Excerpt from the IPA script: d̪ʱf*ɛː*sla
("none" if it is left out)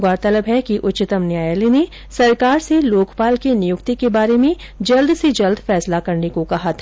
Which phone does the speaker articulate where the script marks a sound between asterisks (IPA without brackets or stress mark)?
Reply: ɛː